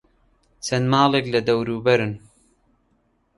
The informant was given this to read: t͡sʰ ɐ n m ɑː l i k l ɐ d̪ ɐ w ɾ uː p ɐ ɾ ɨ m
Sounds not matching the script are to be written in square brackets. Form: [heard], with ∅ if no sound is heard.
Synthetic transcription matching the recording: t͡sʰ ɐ n m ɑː l [e] k l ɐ d̪ ɐ w ɾ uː [b] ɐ ɾ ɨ [n]